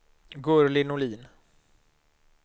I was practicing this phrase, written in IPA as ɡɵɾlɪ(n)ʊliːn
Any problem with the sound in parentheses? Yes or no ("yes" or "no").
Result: no